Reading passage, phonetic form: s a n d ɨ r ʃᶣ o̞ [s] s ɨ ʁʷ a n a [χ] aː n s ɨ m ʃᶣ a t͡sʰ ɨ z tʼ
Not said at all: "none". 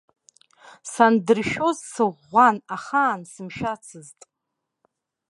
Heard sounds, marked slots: z, χ

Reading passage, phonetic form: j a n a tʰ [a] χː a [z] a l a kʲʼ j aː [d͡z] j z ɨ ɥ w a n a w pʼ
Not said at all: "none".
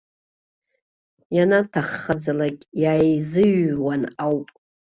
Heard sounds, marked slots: a, d͡z, none

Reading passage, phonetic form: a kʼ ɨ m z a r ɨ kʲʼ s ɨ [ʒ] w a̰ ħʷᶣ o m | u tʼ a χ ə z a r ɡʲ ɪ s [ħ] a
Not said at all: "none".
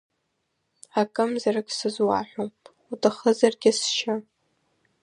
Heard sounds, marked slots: z, ʃ

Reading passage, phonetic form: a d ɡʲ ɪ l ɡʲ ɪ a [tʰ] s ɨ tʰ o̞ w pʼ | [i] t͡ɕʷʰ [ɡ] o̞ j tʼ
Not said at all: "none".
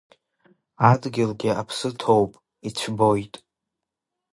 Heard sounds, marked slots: pʰ, i, b

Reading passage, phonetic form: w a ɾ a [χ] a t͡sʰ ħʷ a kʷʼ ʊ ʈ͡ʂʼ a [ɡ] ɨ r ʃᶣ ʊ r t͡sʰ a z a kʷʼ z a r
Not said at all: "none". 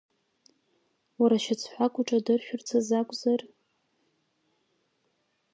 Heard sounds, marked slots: ʃ, d

